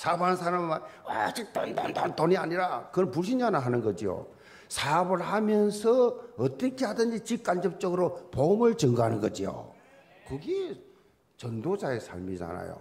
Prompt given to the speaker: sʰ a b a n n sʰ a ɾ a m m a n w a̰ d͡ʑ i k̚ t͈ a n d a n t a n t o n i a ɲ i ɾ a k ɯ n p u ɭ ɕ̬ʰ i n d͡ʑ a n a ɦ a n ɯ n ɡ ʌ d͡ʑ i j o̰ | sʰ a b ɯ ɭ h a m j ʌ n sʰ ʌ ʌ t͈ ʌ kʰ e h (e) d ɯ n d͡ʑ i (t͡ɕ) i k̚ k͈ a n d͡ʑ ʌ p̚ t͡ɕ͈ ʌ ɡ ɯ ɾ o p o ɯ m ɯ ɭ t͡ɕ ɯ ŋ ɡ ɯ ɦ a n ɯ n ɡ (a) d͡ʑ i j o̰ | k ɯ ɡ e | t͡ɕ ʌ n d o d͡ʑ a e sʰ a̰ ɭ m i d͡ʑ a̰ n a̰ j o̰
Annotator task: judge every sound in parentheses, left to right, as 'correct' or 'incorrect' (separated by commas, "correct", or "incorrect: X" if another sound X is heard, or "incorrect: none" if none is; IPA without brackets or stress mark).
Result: incorrect: a, correct, incorrect: ʌ